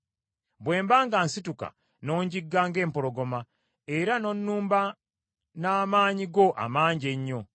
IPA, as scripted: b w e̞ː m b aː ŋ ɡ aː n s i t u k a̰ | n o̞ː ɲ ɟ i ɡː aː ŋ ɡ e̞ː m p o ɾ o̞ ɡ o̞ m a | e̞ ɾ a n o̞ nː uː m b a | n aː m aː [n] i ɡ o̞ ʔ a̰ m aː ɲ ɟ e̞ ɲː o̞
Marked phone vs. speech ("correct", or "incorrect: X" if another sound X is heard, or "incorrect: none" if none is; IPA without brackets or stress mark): incorrect: ɲ